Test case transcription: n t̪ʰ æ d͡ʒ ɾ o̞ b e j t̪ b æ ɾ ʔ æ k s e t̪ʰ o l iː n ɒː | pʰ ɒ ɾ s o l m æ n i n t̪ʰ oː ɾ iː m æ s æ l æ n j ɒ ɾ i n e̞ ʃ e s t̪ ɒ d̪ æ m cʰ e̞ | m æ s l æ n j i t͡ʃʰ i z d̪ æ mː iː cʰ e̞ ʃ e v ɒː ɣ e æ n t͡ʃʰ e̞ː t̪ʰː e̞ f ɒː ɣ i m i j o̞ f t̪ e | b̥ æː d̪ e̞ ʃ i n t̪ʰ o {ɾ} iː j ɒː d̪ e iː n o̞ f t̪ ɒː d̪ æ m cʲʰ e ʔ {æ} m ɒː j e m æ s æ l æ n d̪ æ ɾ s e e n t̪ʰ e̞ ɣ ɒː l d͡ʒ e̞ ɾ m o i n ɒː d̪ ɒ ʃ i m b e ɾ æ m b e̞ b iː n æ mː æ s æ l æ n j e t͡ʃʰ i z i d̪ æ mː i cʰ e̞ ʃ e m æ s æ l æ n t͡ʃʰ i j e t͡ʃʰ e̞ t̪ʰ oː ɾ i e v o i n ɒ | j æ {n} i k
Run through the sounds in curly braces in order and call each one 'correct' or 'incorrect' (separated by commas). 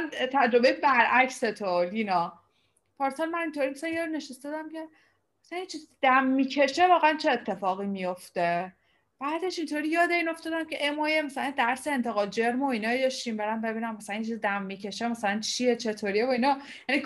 correct, incorrect, correct